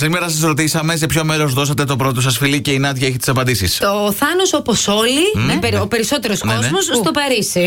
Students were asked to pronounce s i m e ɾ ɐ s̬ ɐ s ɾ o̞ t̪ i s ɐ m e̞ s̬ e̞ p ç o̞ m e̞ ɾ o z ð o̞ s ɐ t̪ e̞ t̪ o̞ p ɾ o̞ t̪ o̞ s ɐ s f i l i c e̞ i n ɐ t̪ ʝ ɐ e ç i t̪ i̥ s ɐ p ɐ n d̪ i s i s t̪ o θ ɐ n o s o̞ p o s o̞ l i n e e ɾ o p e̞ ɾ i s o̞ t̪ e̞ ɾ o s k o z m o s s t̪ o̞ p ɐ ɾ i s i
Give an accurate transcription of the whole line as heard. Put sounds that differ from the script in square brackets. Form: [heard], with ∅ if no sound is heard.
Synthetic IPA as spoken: s i m e ɾ ɐ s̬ ɐ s ɾ o̞ t̪ i s ɐ m e̞ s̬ e̞ p ç o̞ m e̞ ɾ o z ð o̞ s ɐ t̪ e̞ t̪ o̞ p ɾ o̞ t̪ o̞ s ɐ s f i l i c e̞ i n ɐ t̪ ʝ ɐ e ç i t̪ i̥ s ɐ p ɐ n d̪ i s i s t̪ o θ ɐ n o s o̞ p o s o̞ l i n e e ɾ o p e̞ ɾ i s o̞ t̪ e̞ ɾ o s k o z m o s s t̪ o̞ p ɐ ɾ i s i